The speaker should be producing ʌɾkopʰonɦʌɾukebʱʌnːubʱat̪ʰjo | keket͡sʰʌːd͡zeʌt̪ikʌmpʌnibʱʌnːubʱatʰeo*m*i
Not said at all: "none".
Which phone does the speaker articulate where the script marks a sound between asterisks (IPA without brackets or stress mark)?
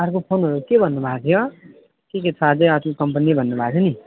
n